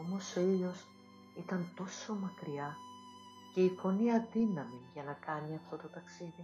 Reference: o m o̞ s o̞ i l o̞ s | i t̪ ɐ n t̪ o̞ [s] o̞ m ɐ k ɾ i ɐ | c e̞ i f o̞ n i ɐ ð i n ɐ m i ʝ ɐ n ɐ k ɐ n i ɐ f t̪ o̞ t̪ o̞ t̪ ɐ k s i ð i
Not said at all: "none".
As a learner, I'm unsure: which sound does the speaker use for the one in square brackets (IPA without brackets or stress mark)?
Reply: s